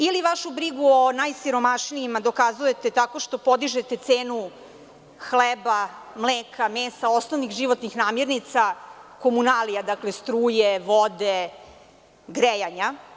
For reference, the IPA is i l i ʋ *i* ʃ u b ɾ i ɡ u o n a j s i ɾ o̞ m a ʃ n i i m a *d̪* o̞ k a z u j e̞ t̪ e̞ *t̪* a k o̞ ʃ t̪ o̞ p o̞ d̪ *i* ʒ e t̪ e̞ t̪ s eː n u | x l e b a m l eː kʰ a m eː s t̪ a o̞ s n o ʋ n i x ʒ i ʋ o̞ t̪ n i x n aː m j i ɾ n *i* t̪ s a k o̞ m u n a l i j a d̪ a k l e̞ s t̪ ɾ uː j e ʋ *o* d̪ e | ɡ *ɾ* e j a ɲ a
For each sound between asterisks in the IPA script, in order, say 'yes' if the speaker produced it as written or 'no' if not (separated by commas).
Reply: no, yes, yes, yes, yes, yes, yes